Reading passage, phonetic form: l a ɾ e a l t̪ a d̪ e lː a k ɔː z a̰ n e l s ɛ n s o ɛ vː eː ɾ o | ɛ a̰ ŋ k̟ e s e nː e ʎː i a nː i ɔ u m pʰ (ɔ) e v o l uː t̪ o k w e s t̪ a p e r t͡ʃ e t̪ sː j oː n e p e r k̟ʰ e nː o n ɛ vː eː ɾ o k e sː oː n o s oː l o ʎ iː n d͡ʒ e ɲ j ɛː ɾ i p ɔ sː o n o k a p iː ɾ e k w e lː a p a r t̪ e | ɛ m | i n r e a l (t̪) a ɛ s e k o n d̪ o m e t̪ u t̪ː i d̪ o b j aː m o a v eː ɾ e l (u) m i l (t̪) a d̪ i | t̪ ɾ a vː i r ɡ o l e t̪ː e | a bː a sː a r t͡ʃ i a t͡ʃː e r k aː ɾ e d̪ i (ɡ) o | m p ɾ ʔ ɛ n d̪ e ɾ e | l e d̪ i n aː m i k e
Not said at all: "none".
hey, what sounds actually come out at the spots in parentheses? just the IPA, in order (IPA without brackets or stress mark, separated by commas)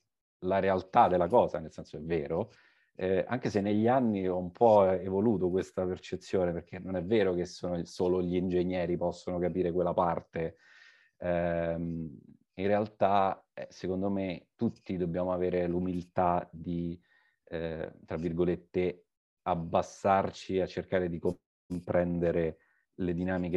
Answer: ɔ, t̪, u, t̪, k